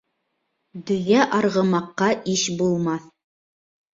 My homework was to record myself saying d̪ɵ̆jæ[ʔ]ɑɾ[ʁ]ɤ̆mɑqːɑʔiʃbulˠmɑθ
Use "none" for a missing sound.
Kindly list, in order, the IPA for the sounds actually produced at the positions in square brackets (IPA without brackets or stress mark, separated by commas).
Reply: ʔ, ʁ